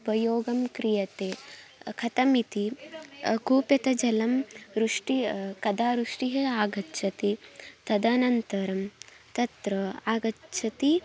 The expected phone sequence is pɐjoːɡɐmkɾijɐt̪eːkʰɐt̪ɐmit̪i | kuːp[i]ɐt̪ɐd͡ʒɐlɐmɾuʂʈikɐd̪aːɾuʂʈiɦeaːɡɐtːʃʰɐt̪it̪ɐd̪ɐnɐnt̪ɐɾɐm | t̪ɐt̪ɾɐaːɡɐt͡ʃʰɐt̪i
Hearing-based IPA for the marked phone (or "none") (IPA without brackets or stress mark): j